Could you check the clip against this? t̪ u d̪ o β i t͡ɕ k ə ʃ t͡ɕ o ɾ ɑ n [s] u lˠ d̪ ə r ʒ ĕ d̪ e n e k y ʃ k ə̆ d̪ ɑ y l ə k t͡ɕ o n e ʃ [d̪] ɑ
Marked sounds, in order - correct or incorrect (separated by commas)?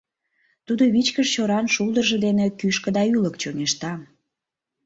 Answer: incorrect, incorrect